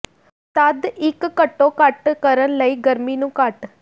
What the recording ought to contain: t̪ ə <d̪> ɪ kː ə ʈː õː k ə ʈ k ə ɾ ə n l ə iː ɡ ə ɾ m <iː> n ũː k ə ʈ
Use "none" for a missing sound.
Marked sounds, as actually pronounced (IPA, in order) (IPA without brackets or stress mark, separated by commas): d̪, iː